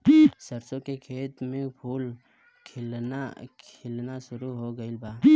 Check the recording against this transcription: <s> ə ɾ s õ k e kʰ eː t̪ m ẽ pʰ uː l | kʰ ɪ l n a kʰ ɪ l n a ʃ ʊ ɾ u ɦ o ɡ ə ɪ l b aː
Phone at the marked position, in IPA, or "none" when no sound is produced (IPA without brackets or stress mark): s